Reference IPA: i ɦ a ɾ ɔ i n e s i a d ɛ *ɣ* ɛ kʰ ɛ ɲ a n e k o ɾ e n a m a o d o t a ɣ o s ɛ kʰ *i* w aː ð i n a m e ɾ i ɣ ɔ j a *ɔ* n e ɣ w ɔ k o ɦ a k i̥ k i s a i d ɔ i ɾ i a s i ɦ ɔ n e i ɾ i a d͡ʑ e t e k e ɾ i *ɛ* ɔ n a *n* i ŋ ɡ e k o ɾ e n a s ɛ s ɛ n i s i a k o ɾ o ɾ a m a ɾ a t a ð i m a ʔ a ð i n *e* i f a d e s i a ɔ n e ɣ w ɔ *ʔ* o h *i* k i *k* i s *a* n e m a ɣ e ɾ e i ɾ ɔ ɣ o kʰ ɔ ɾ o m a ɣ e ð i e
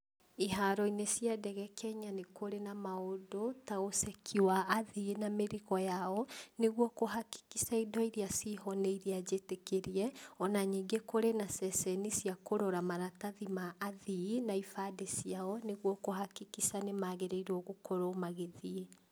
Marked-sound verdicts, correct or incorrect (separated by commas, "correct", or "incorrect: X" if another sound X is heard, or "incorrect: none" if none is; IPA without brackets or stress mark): correct, correct, correct, correct, incorrect: ɲ, incorrect: a, incorrect: k, incorrect: a, correct, correct